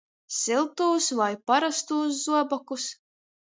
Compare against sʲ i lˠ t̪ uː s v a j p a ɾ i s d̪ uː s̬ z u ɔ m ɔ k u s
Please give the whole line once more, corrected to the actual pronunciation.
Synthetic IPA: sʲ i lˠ t̪ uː s v a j p a ɾ a s t̪ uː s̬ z u ɔ b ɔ k u s